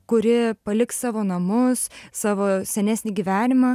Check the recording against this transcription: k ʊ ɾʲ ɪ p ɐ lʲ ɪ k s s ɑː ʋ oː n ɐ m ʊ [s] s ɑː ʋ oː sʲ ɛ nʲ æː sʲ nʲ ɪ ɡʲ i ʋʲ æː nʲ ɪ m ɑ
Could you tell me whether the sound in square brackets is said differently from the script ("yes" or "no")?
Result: no